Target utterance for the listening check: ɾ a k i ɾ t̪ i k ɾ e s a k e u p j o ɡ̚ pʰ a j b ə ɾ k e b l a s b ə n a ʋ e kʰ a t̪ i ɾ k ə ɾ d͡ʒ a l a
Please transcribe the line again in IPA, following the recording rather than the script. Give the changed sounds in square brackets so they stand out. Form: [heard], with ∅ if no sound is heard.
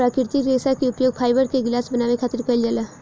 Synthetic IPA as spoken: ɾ a k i ɾ t̪ i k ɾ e s a k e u p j o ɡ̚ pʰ a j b ə ɾ k e [ɡ] l a s b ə n a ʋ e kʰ a t̪ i ɾ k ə [l] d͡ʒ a l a

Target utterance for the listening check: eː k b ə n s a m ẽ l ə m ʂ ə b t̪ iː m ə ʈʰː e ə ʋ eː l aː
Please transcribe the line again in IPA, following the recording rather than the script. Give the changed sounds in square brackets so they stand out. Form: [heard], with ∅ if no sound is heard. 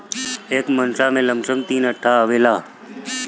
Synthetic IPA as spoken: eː k [m] ə n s a m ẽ l ə m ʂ ə [m] t̪ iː [n] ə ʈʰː [a] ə ʋ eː l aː

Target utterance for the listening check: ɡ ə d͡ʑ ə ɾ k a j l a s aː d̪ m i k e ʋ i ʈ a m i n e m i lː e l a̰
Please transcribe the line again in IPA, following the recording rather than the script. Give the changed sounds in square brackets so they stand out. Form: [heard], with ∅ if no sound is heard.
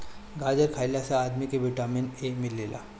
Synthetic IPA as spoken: ɡ [a] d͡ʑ ə ɾ [kʰ] a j l a s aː d̪ m i k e ʋ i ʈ a m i n e m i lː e l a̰

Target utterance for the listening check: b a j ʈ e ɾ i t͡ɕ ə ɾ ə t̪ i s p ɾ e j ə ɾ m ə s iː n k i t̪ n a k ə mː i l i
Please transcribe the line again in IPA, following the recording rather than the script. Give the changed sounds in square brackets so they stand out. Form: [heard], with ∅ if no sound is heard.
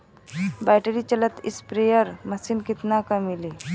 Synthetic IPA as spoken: b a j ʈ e ɾ i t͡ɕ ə [l] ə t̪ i s p ɾ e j ə ɾ m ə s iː n k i t̪ n a k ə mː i l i

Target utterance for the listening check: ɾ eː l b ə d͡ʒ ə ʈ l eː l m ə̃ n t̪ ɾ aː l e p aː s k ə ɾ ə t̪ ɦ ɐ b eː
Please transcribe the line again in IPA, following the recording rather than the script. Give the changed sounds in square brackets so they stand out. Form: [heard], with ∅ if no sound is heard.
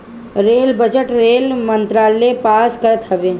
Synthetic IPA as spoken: ɾ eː l b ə d͡ʒ ə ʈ [ɾ] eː l m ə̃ n t̪ ɾ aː l e p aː s k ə ɾ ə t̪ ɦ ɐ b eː

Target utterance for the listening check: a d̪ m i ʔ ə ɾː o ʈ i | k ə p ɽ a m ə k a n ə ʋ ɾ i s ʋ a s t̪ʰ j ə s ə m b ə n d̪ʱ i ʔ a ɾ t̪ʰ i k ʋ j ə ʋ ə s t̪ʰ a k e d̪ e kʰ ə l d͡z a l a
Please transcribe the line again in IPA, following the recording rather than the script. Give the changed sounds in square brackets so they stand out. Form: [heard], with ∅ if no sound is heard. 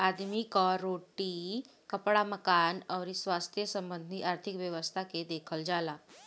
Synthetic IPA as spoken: a d̪ m i [k] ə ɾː o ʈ i | k ə p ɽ a m ə k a n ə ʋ ɾ i s ʋ a s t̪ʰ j ə s ə m b ə n d̪ʱ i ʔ a ɾ t̪ʰ i k ʋ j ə ʋ ə s t̪ʰ a k e d̪ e kʰ ə l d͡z a l a

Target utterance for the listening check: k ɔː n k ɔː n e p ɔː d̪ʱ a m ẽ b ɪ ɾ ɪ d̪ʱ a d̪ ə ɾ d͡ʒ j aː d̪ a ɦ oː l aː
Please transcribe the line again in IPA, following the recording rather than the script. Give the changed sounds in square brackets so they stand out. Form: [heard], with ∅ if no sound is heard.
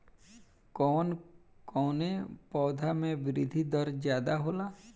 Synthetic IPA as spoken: k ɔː n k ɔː n e p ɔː d̪ʱ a m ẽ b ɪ ɾ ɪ d̪ʱ [i] d̪ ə ɾ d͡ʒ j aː d̪ a ɦ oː l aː

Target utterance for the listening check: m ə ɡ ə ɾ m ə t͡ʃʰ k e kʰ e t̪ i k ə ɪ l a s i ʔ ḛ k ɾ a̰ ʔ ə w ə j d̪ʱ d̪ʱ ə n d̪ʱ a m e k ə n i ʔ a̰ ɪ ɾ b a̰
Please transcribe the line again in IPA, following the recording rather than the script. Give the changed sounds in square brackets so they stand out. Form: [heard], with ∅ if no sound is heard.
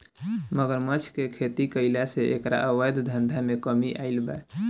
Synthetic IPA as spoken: m ə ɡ ə ɾ m ə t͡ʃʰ k e kʰ e t̪ i k ə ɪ l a s [e] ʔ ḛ k ɾ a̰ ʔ ə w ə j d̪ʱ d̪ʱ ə n d̪ʱ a m e k ə [m] i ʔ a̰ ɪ [l] b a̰

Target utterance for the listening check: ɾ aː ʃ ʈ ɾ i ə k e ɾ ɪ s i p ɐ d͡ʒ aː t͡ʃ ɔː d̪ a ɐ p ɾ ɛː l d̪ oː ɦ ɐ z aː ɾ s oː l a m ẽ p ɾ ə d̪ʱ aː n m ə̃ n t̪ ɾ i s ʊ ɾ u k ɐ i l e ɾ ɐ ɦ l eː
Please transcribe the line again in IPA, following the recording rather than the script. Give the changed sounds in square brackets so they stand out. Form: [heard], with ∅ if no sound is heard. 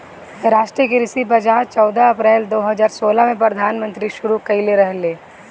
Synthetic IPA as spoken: ɾ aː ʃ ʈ ɾ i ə k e ɾ ɪ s i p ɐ d͡ʒ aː t͡ʃ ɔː d̪ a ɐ p ɾ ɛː l d̪ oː ɦ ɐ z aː ɾ s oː l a m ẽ p ɾ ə d̪ʱ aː n m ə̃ n t̪ ɾ i [ʃ] ʊ ɾ u k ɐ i l e ɾ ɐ ɦ l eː

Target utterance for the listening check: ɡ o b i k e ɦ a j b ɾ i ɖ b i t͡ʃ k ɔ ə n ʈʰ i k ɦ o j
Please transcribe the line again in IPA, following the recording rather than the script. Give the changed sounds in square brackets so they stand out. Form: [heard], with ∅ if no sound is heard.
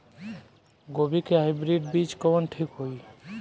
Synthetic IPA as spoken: ɡ o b i k e ɦ a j b ɾ i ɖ b i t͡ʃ k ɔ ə n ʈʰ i k ɦ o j

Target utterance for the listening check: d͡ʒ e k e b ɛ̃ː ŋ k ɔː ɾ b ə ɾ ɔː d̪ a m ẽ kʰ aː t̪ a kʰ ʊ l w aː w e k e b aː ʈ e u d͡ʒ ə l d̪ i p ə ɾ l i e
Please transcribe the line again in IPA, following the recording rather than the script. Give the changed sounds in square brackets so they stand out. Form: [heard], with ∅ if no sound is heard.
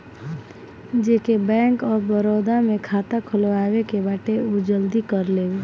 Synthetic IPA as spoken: d͡ʒ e k e b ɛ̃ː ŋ k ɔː ɾ b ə ɾ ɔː d̪ a m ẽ kʰ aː t̪ a kʰ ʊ l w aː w e k e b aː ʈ e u d͡ʒ ə l d̪ i [k] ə ɾ l [e] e

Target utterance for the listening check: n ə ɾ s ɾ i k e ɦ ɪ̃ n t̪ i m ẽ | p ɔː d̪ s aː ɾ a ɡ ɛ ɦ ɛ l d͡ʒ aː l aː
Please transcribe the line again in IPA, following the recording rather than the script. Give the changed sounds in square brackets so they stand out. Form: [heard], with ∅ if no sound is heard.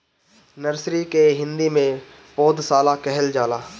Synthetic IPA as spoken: n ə ɾ s ɾ i k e ɦ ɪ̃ n [d̪] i m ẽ | p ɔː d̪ s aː [l] a [k] ɛ ɦ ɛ l d͡ʒ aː l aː

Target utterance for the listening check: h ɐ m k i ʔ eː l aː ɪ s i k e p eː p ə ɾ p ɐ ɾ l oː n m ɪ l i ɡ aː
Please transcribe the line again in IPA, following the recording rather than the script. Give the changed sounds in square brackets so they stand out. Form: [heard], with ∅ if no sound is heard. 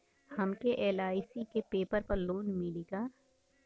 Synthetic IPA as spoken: h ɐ m k [e] ʔ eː l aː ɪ s i k e p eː p ə ɾ p ɐ ɾ l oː n m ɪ l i ɡ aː

